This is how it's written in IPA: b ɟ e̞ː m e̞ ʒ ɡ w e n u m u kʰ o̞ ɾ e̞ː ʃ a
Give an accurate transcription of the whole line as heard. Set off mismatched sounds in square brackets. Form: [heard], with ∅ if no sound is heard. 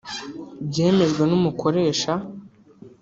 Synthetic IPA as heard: b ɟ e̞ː m e̞ ʒ ɡ w e n u m u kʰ o̞ ɾ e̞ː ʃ a